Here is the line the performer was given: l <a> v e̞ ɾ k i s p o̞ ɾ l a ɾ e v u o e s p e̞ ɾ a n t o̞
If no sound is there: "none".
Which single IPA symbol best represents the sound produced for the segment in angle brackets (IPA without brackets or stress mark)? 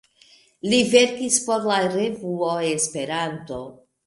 i